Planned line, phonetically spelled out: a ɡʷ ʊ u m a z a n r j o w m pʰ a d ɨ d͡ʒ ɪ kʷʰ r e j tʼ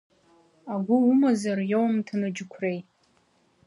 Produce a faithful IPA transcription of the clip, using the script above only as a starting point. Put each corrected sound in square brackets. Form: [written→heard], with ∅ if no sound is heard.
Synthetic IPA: a ɡʷ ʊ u m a z a [n→∅] r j o w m [pʰ→tʰ] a [d→n] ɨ d͡ʒ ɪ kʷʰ r e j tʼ